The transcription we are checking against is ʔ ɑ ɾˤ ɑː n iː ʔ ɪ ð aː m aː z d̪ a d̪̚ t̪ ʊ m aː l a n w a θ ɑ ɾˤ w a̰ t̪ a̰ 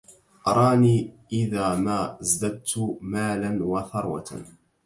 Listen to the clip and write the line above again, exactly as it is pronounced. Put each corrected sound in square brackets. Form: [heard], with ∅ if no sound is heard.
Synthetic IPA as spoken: ʔ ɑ ɾˤ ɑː n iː ʔ ɪ ð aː m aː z d̪ a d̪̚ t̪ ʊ m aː l a n w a θ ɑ ɾˤ w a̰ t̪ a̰